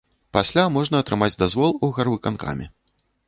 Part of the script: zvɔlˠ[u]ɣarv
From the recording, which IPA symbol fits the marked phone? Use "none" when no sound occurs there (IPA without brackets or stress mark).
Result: u